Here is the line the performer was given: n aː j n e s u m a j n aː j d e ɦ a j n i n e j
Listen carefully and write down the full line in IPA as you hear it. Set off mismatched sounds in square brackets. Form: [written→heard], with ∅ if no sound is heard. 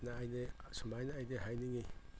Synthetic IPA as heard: n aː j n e s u m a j n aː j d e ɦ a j n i [n→ŋ] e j